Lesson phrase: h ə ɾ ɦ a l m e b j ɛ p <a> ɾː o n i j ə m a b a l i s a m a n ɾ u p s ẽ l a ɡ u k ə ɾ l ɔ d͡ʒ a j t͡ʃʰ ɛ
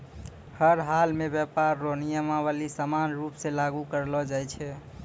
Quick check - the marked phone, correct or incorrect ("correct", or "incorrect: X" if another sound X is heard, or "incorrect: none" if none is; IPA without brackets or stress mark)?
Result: correct